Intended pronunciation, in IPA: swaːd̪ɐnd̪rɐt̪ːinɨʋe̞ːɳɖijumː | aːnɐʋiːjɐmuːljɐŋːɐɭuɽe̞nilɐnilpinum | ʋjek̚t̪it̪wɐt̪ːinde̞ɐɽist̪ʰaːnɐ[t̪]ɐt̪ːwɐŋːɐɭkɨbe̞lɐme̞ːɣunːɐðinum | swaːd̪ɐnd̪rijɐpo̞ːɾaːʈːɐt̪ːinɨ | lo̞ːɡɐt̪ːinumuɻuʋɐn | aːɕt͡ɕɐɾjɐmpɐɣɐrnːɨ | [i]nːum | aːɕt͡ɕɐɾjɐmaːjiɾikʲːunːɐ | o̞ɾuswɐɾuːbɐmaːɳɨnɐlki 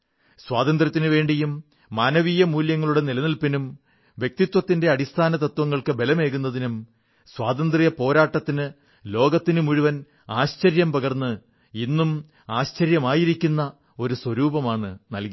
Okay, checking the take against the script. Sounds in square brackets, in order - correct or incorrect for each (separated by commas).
correct, correct